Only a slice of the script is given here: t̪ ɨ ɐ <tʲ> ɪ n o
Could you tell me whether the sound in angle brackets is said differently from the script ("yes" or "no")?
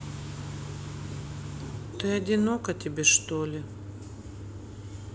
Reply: yes